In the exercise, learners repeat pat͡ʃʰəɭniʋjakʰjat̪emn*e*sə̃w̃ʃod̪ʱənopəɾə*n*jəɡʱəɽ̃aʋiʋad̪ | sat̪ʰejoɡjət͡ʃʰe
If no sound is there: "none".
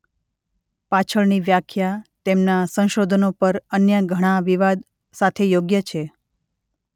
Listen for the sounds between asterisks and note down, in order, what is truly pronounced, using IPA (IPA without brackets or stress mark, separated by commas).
a, n